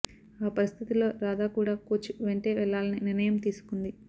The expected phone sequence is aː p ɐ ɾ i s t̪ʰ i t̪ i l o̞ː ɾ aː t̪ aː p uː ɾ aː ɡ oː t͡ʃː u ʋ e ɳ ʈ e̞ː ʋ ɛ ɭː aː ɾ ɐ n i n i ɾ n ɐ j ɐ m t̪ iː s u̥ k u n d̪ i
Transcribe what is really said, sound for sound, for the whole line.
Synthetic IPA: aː p ɐ ɾ i s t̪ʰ i t̪ i l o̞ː ɾ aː d̪ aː k uː ɽ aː k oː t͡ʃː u ʋ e ɳ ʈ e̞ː ʋ ɛ ɭː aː l ɐ n i n i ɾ n ɐ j ɐ m t̪ iː s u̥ k u n d̪ i